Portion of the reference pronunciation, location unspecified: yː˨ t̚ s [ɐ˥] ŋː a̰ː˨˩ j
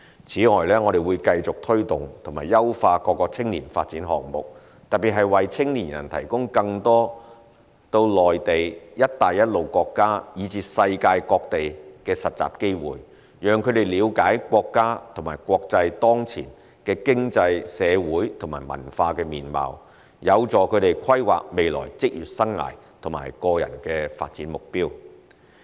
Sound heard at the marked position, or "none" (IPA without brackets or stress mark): ɐ˥